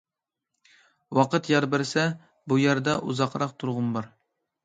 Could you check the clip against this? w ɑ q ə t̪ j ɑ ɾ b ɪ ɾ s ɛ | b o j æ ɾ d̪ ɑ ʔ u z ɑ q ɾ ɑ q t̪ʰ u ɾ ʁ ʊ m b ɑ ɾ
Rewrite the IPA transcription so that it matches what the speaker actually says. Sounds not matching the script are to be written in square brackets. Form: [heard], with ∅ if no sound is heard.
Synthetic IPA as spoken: w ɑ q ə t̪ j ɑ ɾ b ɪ ɾ s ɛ | b [u] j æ ɾ d̪ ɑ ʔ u z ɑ q ɾ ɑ q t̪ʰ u ɾ ʁ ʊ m b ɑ ɾ